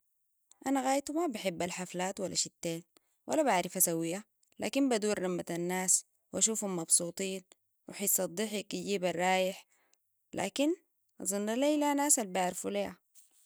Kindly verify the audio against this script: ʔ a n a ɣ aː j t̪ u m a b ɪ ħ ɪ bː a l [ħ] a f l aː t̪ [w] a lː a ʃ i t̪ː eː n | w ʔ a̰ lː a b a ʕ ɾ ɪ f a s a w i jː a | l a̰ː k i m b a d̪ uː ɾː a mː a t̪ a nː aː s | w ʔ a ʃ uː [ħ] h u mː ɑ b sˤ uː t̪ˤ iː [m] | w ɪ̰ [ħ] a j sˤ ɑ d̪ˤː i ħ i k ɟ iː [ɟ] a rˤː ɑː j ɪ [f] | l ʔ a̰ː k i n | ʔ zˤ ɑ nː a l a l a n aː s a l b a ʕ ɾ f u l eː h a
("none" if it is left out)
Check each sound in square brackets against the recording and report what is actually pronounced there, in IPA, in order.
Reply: ħ, w, f, n, ħ, b, ħ

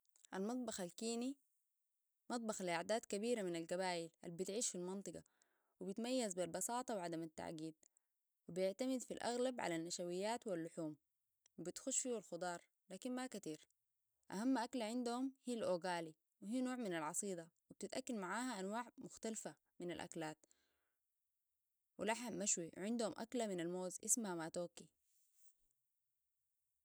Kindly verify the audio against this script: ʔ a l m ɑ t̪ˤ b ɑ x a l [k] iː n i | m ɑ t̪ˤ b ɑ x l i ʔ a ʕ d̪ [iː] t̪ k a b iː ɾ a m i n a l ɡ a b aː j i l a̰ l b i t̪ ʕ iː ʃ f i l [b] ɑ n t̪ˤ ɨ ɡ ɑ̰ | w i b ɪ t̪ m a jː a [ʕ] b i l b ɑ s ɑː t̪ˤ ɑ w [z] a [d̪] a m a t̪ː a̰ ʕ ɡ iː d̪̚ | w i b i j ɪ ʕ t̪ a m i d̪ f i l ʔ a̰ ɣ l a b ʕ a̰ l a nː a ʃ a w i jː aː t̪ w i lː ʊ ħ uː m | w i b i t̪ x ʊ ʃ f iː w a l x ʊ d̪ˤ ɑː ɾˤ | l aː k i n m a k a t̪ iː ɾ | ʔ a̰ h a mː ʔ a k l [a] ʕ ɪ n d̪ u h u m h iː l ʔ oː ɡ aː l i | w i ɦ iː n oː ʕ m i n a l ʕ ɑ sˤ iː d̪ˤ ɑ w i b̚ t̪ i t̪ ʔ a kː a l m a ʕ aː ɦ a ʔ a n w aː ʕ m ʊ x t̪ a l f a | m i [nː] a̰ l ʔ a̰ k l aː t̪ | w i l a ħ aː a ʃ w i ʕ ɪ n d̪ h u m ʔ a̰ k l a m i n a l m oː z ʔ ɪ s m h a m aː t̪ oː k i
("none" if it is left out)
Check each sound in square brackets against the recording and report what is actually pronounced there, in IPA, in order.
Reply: k, aː, m, z, ʕ, d̪, a, n

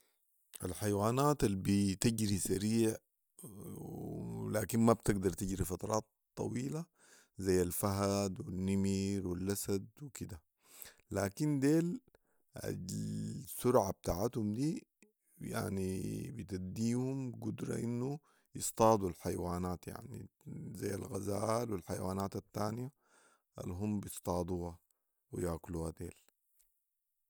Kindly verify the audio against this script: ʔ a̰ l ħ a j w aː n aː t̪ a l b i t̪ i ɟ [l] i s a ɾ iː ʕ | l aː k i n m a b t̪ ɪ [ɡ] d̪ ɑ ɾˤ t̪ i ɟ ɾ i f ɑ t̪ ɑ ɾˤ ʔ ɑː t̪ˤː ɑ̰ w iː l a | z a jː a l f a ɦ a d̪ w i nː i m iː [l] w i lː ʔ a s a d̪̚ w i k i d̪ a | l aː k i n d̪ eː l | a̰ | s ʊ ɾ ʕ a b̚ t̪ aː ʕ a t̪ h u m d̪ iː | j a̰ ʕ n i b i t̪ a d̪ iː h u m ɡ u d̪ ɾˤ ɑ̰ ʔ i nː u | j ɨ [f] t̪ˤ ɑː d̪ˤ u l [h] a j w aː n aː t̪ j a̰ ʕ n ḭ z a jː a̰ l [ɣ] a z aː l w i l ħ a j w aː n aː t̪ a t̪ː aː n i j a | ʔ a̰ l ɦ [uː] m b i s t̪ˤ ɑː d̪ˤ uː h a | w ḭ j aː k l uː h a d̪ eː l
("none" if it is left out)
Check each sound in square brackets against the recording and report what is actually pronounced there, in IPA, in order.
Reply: ɾ, ɡ, ɾ, s, ħ, ɣ, u

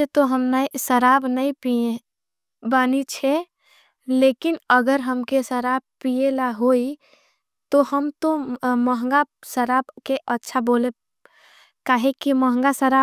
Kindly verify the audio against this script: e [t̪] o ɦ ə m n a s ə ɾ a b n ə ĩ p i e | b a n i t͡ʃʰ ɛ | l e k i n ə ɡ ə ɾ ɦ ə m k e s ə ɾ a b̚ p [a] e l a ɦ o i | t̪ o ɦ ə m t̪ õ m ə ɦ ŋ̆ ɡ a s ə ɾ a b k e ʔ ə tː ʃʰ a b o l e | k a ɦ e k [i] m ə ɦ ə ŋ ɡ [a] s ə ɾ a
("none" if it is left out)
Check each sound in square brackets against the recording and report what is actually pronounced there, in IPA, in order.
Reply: t̪, i, i, a

